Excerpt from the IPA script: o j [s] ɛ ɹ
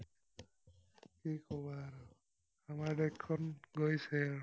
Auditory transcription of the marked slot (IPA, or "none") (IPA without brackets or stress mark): s